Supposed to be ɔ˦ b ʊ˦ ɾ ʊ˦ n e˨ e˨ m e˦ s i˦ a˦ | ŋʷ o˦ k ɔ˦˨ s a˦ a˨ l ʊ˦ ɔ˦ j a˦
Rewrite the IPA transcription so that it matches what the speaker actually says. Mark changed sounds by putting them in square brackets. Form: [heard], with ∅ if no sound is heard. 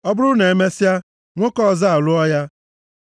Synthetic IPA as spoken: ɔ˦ b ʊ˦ ɾ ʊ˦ n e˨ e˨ m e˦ s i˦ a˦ | ŋʷ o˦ k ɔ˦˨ [z] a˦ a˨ l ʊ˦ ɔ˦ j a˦